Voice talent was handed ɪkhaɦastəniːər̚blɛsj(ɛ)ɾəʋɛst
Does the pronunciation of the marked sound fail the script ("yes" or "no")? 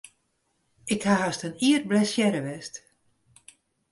no